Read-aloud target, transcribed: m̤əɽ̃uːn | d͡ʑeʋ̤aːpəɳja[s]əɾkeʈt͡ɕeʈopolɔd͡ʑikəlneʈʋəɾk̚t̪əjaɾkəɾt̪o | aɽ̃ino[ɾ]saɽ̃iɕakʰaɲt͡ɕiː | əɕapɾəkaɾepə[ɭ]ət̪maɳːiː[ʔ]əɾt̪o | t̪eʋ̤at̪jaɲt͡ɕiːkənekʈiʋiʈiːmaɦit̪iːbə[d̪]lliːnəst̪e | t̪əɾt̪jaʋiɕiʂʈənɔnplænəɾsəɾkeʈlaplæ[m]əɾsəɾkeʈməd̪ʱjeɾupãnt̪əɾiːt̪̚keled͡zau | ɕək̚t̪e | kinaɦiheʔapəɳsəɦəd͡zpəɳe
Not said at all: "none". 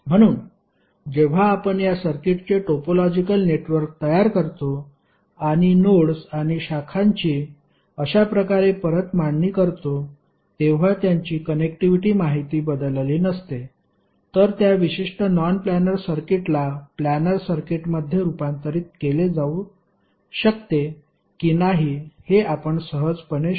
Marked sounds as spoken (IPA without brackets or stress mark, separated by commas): s, ɽ, ɾ, k, d̪, n